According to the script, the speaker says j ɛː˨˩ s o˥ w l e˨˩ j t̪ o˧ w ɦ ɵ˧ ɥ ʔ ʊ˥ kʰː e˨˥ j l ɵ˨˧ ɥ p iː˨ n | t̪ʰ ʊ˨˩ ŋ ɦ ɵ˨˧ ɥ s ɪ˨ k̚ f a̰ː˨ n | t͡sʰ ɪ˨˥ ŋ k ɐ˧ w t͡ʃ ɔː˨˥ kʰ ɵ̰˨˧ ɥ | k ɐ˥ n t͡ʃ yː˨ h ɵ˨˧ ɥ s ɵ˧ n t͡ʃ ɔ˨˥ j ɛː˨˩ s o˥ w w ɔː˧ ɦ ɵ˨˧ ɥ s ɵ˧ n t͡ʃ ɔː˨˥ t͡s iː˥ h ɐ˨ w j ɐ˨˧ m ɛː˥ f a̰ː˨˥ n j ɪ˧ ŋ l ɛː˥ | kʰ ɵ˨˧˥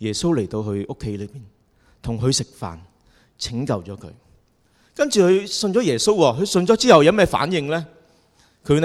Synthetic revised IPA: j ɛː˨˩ s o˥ w l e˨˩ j t̪ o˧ w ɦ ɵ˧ ɥ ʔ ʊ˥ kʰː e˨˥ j l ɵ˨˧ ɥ p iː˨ n | t̪ʰ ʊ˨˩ ŋ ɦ ɵ˨˧ ɥ s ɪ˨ k̚ f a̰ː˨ n | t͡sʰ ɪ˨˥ ŋ k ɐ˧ w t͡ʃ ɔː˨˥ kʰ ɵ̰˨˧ ɥ | k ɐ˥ n t͡ʃ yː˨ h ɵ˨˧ ɥ s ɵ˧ n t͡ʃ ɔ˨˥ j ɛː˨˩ s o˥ w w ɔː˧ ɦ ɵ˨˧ ɥ s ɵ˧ n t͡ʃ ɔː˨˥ t͡s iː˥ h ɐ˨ w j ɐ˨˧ m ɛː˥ f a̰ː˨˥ n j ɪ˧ ŋ l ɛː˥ | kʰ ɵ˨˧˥